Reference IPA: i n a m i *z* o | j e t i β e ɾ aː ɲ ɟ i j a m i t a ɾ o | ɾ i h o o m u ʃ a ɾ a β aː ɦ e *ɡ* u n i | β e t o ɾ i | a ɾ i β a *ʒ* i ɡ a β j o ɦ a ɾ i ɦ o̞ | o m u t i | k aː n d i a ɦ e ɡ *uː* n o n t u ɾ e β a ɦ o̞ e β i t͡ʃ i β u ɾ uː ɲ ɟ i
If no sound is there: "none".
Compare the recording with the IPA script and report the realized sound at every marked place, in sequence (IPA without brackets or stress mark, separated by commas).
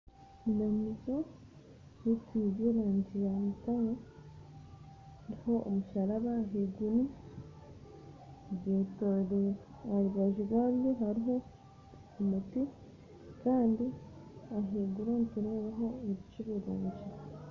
z, ɡ, ʒ, u